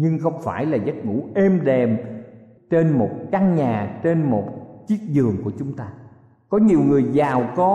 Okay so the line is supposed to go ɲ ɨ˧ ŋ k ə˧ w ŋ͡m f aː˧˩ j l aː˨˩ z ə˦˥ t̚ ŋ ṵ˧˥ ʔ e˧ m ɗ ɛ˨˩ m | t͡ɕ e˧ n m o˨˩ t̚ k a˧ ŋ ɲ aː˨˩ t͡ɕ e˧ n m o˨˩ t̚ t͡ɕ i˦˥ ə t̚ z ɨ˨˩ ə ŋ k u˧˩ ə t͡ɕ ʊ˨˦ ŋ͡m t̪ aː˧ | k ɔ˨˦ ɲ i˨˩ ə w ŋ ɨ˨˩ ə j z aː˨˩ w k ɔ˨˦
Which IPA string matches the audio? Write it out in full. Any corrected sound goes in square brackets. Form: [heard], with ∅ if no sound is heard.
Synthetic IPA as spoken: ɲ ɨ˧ ŋ [x] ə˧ w ŋ͡m f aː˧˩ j l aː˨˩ z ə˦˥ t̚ ŋ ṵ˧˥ ʔ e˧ m ɗ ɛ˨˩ m | t͡ɕ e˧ n m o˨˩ t̚ k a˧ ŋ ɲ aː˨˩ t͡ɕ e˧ n m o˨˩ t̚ t͡ɕ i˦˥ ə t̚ z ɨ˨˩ ə ŋ k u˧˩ ə t͡ɕ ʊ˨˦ ŋ͡m t̪ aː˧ | k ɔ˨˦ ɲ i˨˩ ə w ŋ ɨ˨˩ ə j z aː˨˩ w k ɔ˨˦